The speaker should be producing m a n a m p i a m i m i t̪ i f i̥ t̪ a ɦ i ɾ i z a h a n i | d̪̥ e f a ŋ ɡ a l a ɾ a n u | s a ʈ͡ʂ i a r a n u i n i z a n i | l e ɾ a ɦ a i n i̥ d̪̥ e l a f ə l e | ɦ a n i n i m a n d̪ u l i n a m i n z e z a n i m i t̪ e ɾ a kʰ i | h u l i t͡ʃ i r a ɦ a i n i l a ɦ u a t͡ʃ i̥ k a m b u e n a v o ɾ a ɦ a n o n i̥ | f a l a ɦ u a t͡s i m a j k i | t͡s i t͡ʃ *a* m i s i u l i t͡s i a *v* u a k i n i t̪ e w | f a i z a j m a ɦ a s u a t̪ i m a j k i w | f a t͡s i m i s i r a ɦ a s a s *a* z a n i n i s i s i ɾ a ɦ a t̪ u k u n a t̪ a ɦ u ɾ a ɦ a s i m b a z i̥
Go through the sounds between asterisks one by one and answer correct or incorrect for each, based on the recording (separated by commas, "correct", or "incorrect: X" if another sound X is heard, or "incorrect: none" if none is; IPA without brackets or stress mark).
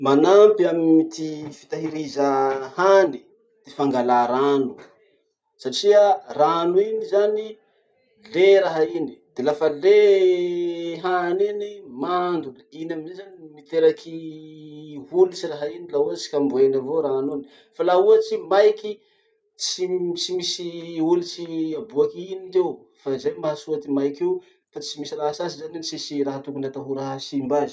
incorrect: i, incorrect: b, incorrect: i